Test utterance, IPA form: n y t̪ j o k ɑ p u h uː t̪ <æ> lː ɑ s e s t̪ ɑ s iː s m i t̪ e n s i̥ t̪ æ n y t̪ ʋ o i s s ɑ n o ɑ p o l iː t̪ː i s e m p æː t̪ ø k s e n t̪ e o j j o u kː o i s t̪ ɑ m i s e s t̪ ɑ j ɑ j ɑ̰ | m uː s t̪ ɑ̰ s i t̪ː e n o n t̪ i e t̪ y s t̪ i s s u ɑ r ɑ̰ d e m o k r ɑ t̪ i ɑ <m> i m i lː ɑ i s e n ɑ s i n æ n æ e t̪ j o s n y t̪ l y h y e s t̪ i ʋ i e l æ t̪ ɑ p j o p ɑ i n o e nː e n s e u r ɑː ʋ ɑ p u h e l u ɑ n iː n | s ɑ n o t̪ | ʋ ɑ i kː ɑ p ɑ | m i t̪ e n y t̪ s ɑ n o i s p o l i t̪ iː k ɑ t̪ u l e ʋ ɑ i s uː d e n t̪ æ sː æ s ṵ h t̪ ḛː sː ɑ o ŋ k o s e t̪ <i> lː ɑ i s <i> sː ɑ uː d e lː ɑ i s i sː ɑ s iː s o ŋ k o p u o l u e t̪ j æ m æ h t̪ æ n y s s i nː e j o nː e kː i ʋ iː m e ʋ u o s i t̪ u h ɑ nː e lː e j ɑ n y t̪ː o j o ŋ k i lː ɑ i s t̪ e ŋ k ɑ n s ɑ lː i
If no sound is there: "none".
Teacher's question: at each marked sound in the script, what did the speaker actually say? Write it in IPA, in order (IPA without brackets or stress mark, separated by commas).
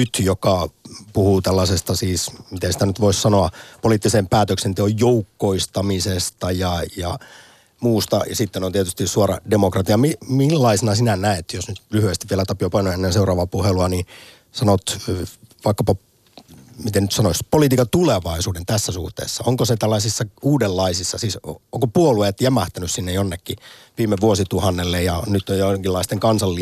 æ, m, æ, i